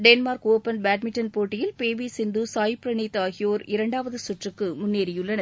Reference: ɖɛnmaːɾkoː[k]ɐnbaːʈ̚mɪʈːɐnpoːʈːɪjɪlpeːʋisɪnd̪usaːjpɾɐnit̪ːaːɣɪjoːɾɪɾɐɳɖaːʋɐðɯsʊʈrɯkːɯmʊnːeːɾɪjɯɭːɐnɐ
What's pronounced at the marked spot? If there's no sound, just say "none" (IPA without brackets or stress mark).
p